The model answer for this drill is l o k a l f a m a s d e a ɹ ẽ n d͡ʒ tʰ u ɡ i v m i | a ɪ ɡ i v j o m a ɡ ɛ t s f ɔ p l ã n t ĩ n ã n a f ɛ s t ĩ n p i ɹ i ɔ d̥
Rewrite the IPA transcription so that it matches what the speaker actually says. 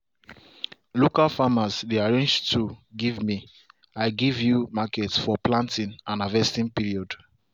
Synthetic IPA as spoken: l o k a l f a m a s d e a ɹ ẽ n d͡ʒ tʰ u ɡ i v m i | a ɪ ɡ i v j u m a k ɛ t s f ɔ p l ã n t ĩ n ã n a v ɛ s t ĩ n p i ɹ i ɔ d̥